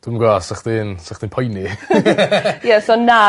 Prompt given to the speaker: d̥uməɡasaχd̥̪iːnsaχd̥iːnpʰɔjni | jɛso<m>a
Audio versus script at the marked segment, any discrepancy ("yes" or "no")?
yes